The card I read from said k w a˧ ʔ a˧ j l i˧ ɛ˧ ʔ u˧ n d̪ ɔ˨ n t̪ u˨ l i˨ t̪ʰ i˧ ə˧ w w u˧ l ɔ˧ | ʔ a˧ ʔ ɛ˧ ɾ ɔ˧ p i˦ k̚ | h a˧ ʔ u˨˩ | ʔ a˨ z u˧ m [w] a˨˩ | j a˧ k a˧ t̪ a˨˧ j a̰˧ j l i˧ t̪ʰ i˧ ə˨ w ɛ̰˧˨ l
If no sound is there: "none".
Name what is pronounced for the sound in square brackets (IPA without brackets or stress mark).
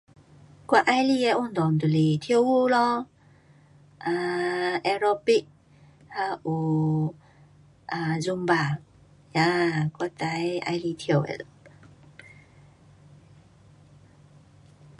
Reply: b